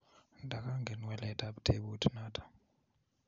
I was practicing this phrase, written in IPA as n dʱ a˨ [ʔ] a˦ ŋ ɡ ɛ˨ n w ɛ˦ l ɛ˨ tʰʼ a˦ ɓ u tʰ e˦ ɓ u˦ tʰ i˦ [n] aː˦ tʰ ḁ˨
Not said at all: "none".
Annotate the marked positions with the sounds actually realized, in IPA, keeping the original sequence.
k, n

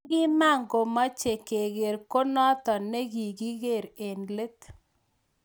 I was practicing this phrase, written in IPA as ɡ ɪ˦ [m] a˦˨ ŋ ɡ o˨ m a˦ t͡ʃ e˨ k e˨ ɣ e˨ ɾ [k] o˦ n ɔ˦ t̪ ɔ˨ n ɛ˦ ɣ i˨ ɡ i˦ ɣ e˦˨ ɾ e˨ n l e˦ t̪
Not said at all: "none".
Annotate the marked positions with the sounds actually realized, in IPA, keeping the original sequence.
m, k

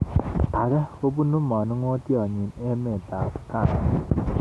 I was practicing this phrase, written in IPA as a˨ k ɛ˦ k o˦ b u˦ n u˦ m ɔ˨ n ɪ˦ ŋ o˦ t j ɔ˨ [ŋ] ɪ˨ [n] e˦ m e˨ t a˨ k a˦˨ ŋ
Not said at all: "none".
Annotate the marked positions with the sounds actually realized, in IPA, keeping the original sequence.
ɲ, n

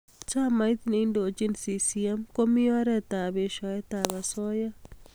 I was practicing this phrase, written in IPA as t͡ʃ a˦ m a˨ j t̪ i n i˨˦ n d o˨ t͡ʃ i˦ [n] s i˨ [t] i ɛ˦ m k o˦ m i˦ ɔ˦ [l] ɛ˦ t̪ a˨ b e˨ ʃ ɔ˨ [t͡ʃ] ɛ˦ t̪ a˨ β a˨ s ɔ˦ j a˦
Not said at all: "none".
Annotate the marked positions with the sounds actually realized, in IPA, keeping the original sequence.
n, s, ɾ, none

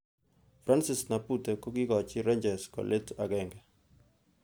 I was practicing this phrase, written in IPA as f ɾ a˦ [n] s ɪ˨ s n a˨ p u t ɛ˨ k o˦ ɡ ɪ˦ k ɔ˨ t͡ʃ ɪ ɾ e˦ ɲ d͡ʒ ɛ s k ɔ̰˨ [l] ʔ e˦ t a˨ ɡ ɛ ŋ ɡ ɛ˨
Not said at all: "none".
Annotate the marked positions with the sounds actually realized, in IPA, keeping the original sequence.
n, l

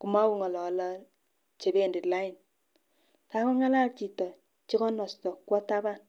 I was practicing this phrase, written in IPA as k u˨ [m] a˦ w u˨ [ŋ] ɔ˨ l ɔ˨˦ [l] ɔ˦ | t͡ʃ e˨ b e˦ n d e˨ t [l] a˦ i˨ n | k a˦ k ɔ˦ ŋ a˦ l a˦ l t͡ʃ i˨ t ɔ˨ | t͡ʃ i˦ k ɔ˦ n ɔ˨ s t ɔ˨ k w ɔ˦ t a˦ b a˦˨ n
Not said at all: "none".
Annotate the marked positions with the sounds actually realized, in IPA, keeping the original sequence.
m, ŋ, l, l

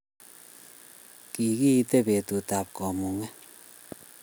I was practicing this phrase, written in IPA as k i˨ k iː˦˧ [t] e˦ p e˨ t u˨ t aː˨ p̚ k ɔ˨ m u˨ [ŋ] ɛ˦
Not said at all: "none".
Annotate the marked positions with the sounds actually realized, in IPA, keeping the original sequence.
t, ŋ

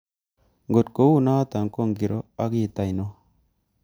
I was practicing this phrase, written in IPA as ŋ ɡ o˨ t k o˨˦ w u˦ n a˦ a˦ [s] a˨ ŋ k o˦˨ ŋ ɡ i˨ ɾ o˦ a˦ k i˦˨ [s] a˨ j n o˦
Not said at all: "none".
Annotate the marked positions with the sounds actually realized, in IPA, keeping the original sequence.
t, t

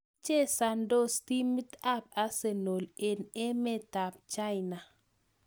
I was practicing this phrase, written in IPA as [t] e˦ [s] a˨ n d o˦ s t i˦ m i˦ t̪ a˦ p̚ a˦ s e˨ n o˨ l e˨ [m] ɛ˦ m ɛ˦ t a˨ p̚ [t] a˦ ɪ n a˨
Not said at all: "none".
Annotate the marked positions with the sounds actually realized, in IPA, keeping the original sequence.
t͡ʃ, s, n, t͡ʃ

